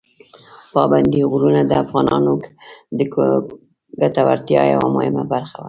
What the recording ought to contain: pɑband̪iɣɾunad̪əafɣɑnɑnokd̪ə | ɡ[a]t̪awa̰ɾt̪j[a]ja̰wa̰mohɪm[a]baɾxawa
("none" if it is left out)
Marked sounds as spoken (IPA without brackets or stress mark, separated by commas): a, ɑ, a